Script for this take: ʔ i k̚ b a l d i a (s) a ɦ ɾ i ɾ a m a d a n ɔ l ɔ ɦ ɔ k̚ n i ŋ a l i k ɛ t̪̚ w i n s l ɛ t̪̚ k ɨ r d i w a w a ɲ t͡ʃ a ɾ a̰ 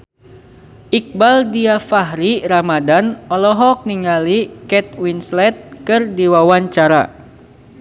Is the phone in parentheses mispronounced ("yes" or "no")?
yes